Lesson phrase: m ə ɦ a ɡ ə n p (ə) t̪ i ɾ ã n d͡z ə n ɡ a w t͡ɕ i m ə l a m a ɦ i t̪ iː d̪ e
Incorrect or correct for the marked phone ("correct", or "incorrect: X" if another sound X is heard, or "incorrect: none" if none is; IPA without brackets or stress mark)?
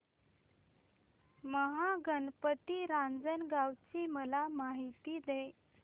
correct